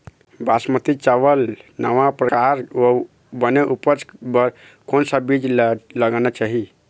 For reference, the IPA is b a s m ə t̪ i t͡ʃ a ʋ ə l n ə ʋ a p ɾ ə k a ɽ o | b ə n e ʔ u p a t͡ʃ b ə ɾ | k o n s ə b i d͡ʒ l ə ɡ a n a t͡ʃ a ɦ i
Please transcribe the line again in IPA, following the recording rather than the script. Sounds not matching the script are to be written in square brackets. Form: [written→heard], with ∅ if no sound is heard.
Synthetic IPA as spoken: b a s m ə t̪ i t͡ʃ a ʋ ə l n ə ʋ a p ɾ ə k a [ɽ→ɾ] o | b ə n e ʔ u p [a→ə] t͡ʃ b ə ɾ | k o n s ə b i d͡ʒ l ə ɡ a n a t͡ʃ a ɦ i